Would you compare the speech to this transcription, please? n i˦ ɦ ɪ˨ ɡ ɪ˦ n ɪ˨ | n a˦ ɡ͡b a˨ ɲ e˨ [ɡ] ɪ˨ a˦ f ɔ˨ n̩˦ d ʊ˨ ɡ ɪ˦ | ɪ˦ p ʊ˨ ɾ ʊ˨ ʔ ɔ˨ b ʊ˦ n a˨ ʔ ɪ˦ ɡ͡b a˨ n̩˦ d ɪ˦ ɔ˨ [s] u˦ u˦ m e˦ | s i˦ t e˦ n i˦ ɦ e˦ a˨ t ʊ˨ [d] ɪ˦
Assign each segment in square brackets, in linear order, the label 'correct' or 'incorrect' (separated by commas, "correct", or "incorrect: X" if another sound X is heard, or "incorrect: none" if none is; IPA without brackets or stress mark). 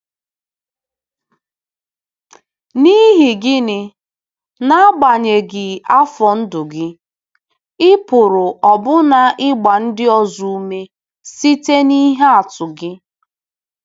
correct, incorrect: z, incorrect: ɡ